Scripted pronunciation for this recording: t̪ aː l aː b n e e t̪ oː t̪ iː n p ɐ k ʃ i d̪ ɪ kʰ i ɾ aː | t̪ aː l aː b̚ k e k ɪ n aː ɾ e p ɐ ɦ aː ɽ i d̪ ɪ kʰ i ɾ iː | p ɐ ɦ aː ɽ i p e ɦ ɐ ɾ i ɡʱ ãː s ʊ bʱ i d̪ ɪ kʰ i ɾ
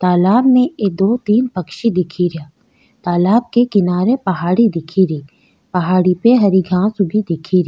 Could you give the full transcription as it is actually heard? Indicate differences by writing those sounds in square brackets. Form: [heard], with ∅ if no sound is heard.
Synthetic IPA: t̪ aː l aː b n e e [d̪] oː t̪ iː n p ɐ k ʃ i d̪ ɪ kʰ i ɾ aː | t̪ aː l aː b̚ k e k ɪ n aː ɾ e p ɐ ɦ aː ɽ i d̪ ɪ kʰ i ɾ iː | p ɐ ɦ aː ɽ i p e ɦ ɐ ɾ i ɡʱ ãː s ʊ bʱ i d̪ ɪ kʰ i ɾ